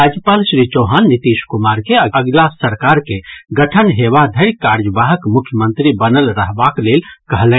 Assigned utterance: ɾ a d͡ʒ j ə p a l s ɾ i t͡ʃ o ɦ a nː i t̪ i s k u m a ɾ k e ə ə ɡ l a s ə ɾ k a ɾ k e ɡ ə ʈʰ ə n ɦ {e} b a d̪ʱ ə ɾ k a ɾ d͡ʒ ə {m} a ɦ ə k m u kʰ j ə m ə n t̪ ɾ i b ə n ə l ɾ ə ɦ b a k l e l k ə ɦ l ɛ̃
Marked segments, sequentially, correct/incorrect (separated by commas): correct, incorrect